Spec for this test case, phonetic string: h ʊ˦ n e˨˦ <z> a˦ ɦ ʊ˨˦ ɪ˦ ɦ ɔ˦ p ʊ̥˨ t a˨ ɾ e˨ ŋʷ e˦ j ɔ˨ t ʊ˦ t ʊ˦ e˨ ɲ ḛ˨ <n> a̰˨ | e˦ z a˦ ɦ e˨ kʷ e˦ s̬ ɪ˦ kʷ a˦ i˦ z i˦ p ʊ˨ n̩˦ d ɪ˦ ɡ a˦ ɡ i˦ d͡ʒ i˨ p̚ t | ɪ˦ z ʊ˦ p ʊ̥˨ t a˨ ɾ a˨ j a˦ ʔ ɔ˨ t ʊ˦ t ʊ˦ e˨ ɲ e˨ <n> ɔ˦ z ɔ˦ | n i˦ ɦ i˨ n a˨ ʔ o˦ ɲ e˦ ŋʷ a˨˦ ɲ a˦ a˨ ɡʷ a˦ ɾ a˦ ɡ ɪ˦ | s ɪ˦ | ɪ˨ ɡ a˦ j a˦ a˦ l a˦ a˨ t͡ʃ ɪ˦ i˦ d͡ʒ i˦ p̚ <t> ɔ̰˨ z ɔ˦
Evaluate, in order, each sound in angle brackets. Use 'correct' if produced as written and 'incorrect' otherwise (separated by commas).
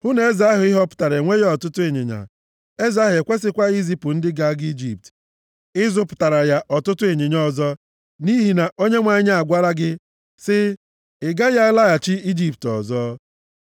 correct, incorrect, incorrect, correct